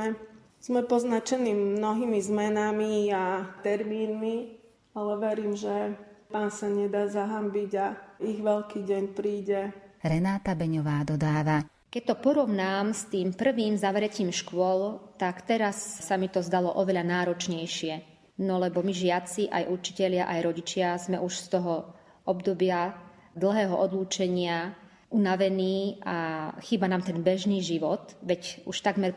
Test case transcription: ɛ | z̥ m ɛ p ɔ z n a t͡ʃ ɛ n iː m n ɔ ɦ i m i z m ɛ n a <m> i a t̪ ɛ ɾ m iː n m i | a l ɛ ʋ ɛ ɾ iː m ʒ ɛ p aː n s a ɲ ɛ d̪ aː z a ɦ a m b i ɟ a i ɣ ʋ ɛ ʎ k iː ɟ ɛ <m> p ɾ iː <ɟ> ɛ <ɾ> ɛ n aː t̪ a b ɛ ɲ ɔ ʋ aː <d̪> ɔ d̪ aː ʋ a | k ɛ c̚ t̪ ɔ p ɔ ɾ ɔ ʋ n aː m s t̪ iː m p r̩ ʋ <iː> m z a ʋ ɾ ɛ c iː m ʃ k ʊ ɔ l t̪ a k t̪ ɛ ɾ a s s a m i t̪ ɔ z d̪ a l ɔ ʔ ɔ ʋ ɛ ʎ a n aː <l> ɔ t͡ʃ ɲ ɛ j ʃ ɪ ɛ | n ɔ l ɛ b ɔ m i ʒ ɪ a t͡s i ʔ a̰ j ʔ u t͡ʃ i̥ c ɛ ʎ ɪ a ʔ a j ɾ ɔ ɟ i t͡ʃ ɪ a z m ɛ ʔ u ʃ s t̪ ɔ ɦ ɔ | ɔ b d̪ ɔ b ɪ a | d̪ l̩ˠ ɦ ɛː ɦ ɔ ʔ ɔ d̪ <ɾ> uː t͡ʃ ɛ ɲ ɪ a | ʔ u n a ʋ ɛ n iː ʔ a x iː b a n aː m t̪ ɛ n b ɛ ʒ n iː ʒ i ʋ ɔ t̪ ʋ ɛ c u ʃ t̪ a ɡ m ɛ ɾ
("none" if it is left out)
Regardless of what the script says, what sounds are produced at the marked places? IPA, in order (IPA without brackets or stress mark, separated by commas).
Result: m, ɲ, ɟ, ɾ, d̪, iː, ɾ, l